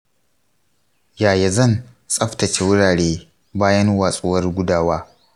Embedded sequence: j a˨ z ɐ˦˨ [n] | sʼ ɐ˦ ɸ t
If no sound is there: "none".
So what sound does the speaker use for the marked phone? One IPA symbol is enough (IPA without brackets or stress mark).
n